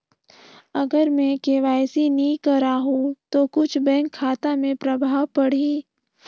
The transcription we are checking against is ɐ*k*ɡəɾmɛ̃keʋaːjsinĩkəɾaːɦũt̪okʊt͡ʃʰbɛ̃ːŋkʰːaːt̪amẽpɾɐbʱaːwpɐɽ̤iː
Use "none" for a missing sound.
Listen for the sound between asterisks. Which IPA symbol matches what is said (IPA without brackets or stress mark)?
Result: none